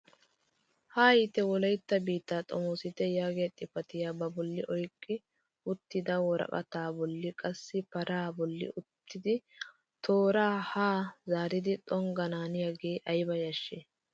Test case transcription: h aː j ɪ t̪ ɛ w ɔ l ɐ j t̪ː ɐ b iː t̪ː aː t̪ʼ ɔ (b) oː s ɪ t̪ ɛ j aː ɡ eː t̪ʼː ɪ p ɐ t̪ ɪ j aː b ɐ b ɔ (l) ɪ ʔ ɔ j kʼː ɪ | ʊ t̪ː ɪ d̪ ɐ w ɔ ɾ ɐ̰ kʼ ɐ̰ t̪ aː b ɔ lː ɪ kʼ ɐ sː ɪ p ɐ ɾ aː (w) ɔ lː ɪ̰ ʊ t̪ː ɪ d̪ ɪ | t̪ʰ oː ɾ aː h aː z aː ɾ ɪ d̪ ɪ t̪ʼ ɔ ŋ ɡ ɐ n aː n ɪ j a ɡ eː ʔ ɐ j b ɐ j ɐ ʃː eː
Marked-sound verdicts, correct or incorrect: incorrect: m, incorrect: lː, incorrect: b

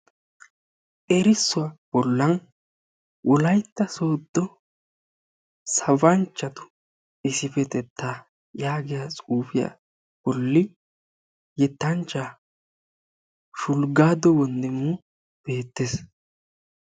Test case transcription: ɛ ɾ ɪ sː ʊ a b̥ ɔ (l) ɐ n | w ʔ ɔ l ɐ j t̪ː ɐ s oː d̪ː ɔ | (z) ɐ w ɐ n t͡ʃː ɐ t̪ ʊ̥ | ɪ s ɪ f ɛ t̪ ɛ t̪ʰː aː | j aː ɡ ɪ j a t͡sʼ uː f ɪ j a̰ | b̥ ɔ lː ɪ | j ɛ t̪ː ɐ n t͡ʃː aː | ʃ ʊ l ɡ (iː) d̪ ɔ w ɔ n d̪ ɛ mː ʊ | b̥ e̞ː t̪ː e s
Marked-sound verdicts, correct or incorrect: incorrect: lː, incorrect: s, incorrect: aː

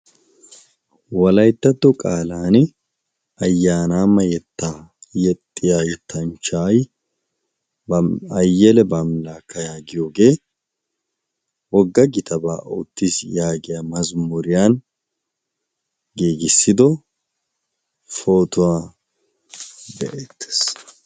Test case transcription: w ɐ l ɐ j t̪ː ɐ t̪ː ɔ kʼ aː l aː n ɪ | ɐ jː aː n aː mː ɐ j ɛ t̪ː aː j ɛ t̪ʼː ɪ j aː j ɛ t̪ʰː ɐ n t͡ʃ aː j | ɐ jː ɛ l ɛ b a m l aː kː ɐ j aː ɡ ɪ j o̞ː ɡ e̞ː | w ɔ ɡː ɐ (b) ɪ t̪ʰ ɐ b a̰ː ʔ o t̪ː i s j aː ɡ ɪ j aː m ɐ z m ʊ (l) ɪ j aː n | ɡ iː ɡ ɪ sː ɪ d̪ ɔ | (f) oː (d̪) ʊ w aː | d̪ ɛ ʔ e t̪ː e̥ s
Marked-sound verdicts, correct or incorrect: incorrect: ɡ, incorrect: ɾ, correct, incorrect: t̪

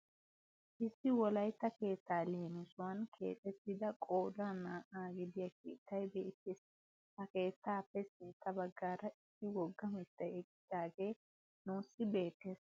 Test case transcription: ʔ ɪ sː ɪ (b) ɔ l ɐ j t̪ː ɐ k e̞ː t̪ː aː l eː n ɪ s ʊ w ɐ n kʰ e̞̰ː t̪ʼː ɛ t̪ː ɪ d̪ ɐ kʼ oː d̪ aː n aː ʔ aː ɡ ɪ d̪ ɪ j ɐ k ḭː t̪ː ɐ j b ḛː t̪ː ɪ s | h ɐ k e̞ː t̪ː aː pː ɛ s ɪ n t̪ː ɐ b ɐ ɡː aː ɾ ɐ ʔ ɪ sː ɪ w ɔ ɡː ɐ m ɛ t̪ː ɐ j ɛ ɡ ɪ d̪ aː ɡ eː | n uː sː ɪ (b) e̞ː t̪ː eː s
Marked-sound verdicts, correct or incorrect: incorrect: w, correct

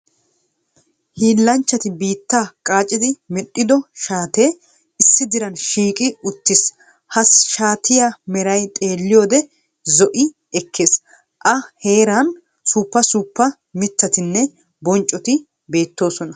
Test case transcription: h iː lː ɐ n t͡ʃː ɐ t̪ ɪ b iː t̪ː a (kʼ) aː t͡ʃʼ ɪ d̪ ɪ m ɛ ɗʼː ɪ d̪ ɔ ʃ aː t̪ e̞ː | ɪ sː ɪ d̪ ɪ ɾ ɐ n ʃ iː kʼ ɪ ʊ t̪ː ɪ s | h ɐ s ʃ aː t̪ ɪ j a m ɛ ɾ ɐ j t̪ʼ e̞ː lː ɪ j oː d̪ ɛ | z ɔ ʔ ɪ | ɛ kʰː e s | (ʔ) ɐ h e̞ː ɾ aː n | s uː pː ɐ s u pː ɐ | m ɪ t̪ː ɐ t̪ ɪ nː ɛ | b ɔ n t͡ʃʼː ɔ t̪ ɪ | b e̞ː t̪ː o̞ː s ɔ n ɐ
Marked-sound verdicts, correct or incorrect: correct, correct

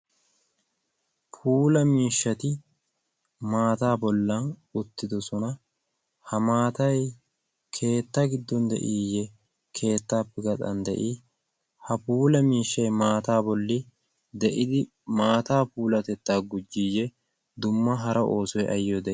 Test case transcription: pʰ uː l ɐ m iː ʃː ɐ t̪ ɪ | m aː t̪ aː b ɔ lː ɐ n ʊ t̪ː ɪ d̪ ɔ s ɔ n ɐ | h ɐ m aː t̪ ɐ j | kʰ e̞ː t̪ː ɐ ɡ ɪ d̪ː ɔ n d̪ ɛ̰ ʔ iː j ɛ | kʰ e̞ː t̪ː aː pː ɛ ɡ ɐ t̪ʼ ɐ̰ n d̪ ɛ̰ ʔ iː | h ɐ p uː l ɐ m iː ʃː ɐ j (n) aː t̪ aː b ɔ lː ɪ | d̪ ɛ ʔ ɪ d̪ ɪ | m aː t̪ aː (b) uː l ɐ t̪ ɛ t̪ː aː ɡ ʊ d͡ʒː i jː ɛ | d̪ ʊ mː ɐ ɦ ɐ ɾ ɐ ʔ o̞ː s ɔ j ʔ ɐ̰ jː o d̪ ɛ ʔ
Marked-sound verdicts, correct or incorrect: incorrect: m, incorrect: p

